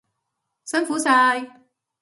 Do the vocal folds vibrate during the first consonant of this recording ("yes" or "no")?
no